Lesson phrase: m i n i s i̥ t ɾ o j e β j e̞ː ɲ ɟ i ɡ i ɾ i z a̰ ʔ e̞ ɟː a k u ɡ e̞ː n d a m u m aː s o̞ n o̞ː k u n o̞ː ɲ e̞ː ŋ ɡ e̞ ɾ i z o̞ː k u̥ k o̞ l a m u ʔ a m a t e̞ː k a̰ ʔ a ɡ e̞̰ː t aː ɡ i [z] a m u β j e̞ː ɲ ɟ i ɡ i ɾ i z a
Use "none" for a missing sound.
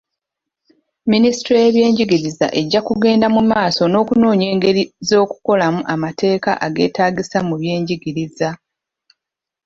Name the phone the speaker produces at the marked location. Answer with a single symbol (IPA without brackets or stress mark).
s